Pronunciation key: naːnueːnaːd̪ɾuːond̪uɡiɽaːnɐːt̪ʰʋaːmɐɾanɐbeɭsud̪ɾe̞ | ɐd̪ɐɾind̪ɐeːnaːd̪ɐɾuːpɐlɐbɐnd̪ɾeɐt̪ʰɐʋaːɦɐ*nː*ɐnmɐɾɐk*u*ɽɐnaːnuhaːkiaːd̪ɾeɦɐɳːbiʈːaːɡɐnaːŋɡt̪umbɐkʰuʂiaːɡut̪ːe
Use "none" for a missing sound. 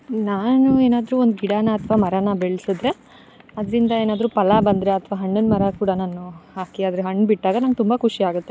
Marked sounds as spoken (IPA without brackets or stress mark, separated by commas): ɳː, uː